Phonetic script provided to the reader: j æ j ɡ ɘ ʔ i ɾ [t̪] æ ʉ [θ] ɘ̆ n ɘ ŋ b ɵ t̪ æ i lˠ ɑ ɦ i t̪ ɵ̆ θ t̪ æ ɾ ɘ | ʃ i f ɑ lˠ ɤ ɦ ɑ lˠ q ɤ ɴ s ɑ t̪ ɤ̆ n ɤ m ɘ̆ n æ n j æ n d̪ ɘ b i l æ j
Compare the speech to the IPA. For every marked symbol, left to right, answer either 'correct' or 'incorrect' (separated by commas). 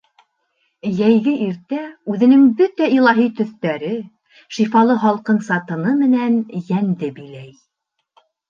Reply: correct, incorrect